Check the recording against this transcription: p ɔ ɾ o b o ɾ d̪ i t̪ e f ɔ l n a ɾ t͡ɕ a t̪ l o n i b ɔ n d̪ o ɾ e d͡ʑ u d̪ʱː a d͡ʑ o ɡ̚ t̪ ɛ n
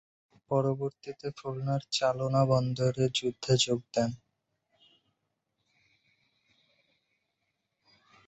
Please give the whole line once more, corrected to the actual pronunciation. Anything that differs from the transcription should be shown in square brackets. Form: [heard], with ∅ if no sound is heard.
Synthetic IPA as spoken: p ɔ ɾ o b o ɾ [t̪] i t̪ e f [u] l n a ɾ t͡ɕ a [∅] l o n [a] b ɔ n d̪ o ɾ e d͡ʑ u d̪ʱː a d͡ʑ o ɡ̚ [d̪] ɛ n

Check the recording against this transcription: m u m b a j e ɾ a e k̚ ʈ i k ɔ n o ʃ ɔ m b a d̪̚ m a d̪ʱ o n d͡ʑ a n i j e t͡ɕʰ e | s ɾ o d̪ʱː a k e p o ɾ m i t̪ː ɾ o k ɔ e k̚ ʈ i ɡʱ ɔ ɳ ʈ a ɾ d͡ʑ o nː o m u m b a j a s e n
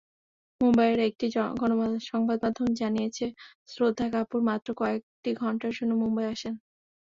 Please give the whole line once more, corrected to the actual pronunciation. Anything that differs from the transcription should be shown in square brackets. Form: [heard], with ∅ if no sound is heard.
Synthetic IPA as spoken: m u m b a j e ɾ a e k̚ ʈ i [ɡ] ɔ n o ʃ ɔ [ŋ] b a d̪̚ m a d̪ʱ o n d͡ʑ a n i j e t͡ɕʰ e | s ɾ o d̪ʱː a k [a] p [u] ɾ m [a] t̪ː ɾ o k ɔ e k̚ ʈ i ɡʱ ɔ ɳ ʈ a ɾ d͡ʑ o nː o m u m b a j a [ʃ] e n

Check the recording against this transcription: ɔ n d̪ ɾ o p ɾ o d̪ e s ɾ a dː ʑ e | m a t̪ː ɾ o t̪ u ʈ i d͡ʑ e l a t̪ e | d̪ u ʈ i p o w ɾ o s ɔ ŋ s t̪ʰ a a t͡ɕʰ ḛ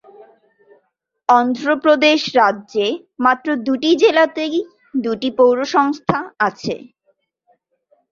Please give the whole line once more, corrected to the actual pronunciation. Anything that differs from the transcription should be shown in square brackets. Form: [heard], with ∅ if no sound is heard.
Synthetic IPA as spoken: ɔ n d̪ ɾ o p ɾ o d̪ e [ʃ] ɾ a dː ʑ e | m a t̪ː ɾ o [d̪] u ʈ i d͡ʑ e l a t̪ e | d̪ u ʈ i p o w ɾ o [ʃ] ɔ ŋ s t̪ʰ a a t͡ɕʰ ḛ

